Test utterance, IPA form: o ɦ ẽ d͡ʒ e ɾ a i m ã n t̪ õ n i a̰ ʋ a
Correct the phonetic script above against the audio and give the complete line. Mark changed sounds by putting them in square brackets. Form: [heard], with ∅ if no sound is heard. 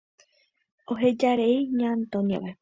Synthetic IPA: o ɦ [e] d͡ʒ [a] ɾ [e] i [ɲ] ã n t̪ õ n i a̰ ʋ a